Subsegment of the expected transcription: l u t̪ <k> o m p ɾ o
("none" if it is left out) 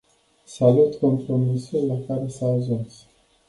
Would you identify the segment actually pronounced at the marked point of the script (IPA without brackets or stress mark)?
k